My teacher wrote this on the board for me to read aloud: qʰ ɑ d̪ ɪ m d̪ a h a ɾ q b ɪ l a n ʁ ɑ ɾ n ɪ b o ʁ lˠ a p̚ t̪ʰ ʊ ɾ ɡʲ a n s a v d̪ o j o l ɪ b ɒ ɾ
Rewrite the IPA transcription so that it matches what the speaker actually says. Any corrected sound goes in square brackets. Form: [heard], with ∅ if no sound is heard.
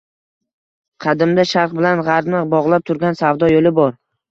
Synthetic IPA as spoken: qʰ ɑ d̪ ɪ m d̪ a [ʃ] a ɾ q b ɪ l a n ʁ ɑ ɾ n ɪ b [ɒ] ʁ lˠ a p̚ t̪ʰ ʊ ɾ ɡʲ a n s a v d̪ [ɒ] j o l ɪ b ɒ ɾ